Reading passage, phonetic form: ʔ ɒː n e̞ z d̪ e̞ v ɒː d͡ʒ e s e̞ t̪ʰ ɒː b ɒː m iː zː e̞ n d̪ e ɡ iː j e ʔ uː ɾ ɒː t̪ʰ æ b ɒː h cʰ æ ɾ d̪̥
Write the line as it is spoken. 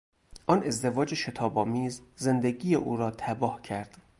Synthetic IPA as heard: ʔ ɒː n e̞ z d̪ e̞ v ɒː d͡ʒ e ʃ e̞ t̪ʰ ɒː b ɒː m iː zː e̞ n d̪ e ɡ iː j e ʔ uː ɾ ɒː t̪ʰ æ b ɒː h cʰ æ ɾ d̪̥